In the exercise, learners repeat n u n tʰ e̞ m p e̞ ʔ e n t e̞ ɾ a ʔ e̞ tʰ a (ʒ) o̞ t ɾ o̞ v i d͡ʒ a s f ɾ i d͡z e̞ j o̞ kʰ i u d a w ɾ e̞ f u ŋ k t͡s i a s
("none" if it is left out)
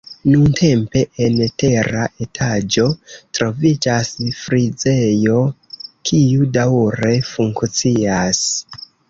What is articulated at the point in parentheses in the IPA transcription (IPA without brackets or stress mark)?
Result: d͡ʒ